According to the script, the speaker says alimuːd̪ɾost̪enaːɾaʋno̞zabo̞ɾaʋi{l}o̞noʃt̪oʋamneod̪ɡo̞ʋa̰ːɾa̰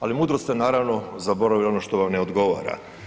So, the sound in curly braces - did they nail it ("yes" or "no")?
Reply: yes